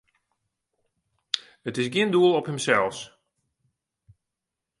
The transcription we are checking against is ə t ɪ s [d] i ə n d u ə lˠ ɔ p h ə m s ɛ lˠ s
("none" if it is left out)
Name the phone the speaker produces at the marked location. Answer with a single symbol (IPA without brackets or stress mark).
ɡ